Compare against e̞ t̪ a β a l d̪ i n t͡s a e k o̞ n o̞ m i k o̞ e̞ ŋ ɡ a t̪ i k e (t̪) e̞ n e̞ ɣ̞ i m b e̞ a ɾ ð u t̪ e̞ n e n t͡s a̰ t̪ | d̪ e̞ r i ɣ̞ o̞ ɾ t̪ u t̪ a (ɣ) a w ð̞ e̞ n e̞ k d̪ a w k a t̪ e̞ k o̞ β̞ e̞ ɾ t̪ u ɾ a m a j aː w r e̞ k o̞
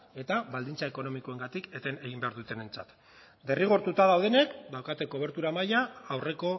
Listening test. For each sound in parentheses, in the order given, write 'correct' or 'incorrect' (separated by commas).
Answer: correct, incorrect